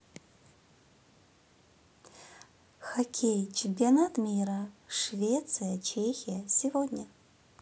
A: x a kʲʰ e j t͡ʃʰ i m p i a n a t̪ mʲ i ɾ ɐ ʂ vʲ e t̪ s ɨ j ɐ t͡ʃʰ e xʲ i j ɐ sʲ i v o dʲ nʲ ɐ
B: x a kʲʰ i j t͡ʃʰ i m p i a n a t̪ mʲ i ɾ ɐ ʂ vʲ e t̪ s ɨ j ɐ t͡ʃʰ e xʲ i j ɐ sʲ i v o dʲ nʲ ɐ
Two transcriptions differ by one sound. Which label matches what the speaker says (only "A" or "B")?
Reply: A